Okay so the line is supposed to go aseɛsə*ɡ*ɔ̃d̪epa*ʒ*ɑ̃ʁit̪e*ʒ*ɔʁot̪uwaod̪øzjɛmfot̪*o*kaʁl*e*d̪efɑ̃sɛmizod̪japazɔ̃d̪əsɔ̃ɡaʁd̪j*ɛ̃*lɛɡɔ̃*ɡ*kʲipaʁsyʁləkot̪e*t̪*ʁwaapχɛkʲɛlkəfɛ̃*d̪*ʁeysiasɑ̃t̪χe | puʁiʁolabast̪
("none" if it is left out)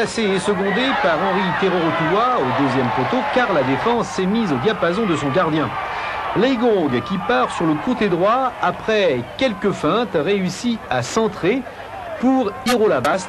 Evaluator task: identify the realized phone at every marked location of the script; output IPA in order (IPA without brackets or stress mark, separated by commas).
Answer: ɡ, ʁ, ʁ, o, a, ɛ̃, ɡ, d̪, t̪